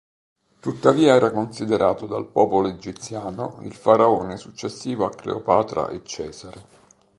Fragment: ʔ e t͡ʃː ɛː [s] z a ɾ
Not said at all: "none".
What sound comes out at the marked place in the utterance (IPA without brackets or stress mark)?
none